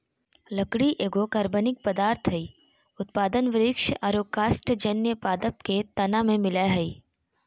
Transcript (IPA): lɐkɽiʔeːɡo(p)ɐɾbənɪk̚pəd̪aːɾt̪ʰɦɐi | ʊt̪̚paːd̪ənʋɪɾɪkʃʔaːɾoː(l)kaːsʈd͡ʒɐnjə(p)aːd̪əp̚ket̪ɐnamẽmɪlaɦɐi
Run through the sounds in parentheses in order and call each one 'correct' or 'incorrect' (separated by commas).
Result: incorrect, incorrect, correct